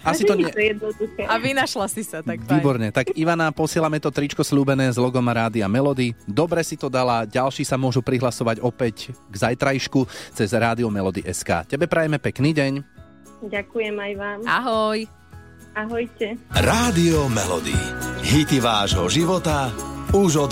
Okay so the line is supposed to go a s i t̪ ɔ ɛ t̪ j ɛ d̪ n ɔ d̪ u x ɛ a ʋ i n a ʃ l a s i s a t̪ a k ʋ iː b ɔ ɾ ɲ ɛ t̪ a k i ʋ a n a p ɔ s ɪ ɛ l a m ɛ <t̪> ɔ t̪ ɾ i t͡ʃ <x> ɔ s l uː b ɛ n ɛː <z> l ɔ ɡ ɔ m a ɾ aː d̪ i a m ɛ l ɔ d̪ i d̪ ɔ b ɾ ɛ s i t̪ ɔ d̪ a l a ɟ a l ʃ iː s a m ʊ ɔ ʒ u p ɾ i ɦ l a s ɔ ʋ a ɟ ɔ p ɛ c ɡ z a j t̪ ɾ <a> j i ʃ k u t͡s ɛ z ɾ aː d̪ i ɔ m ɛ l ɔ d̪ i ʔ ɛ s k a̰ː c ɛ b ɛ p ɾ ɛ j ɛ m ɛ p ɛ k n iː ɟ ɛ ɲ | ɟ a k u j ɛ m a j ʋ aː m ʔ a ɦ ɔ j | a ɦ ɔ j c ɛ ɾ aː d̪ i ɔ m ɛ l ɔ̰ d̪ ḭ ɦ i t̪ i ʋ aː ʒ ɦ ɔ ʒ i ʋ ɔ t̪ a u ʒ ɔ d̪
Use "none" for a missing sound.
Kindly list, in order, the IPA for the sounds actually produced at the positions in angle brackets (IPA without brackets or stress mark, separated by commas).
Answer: t̪, k, z, a